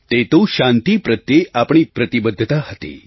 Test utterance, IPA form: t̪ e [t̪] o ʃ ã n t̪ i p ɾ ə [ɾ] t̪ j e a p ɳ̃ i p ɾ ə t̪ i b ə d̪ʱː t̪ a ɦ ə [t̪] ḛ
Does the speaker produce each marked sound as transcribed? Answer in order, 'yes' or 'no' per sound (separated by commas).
yes, no, yes